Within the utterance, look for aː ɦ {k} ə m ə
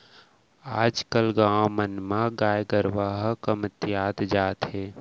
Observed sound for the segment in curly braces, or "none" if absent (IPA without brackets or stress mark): k